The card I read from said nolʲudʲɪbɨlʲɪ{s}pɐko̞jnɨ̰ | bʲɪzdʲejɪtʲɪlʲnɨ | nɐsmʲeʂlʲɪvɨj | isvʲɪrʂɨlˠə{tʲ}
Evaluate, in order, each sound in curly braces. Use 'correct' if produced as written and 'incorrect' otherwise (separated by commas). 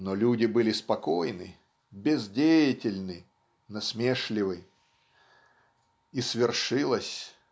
correct, incorrect